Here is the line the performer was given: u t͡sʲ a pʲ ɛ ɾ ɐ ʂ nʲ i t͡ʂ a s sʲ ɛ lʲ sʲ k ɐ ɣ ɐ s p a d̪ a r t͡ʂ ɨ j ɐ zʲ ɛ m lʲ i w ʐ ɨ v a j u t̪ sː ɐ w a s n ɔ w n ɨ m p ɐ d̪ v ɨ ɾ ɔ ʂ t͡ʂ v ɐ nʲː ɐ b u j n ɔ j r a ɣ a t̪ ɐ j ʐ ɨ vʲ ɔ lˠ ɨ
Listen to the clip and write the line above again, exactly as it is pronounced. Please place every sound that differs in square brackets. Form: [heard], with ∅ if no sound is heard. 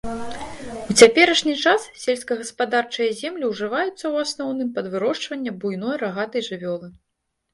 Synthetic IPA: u t͡sʲ a pʲ ɛ ɾ ɐ ʂ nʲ i t͡ʂ a s sʲ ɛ lʲ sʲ k ɐ ɣ ɐ s p a d̪ a r t͡ʂ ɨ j ɐ zʲ ɛ m lʲ i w ʐ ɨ v a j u t̪ sː ɐ w a s n ɔ w n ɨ m p ɐ d̪ v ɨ ɾ ɔ ʂ t͡ʂ v ɐ nʲː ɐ b u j n ɔ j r a ɣ a t̪ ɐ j ʐ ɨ vʲ ɔ lˠ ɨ